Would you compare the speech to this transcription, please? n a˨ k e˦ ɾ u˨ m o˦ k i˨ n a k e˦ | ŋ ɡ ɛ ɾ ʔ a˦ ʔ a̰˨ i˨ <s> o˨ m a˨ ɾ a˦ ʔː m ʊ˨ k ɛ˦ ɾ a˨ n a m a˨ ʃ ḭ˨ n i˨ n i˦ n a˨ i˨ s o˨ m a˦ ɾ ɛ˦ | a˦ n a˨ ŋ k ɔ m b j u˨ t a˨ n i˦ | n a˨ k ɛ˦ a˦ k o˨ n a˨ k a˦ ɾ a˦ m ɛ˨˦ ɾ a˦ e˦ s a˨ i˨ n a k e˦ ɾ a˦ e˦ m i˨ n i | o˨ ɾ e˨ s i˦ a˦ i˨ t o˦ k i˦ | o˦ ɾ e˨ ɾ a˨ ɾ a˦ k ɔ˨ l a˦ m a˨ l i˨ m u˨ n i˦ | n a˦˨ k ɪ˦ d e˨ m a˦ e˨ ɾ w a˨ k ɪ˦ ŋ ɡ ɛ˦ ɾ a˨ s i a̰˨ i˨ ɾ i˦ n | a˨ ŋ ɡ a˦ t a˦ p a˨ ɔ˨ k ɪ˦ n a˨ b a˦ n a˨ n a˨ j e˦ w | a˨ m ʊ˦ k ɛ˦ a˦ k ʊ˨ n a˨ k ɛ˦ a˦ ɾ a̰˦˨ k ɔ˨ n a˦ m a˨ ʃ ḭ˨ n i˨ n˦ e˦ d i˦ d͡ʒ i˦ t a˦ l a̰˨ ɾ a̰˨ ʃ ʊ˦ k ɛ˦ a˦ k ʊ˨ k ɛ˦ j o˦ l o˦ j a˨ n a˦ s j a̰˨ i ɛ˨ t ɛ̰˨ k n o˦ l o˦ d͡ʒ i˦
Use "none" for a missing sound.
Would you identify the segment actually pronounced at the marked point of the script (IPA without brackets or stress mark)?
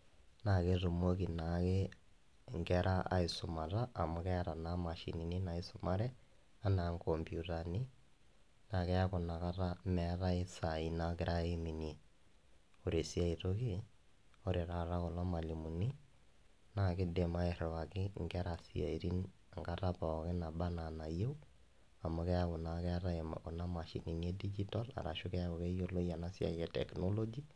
s